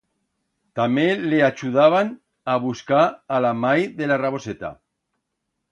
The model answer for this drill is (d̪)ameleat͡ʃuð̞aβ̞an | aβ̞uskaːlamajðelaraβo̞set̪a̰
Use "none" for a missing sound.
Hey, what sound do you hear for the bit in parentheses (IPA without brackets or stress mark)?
t̪